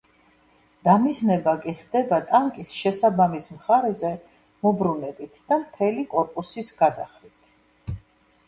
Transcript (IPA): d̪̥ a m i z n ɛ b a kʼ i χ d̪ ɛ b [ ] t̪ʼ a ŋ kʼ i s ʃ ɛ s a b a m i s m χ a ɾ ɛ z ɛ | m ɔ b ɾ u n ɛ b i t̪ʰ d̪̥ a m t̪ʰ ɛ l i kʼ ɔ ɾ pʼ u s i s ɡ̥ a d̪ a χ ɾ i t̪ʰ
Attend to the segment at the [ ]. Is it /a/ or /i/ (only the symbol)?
a